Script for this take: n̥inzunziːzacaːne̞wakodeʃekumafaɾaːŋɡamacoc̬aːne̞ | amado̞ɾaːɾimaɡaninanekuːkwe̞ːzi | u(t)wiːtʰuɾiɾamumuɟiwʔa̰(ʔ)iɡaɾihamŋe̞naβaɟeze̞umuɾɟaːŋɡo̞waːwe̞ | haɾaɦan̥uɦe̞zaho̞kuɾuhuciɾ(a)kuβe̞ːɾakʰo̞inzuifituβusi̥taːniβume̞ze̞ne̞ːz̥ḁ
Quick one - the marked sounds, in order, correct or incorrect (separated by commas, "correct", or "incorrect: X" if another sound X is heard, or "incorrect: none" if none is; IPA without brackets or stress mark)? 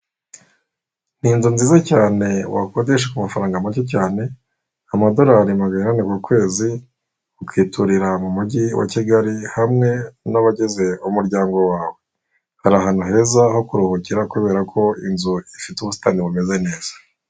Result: incorrect: k, incorrect: c, correct